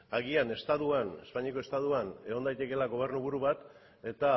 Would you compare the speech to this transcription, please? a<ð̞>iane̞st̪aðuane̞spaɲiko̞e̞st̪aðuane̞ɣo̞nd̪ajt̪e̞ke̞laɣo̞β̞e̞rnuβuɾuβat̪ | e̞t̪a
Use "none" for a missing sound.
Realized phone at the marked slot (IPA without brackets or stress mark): ɣ̞